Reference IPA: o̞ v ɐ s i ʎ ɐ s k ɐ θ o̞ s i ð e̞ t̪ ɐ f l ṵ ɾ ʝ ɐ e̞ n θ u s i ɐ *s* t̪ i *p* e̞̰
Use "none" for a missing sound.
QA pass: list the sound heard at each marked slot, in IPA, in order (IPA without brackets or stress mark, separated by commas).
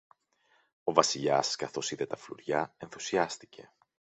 s, c